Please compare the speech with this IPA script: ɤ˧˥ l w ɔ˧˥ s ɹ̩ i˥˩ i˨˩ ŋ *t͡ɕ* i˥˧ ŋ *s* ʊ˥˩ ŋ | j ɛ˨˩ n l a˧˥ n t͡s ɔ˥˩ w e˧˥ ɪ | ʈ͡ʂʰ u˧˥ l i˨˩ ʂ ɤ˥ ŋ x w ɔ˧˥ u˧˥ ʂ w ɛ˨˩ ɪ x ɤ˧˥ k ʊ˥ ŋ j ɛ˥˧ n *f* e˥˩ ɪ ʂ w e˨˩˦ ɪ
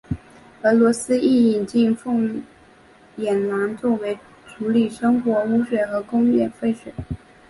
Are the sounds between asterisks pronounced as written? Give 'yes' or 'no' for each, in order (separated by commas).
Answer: yes, no, yes